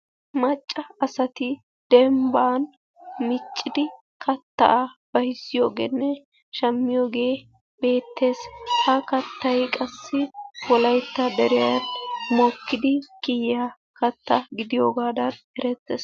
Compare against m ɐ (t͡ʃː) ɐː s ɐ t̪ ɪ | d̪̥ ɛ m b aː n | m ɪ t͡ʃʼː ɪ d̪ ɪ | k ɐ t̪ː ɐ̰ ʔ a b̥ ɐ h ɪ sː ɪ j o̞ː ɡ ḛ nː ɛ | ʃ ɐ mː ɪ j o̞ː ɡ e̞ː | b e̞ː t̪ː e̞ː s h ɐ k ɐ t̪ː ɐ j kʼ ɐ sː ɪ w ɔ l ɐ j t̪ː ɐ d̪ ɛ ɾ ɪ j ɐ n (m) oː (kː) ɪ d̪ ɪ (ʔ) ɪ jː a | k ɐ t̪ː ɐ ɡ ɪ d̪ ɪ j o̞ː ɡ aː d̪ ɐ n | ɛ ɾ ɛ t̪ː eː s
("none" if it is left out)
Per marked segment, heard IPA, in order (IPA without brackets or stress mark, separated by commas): t͡ʃʼː, m, kː, k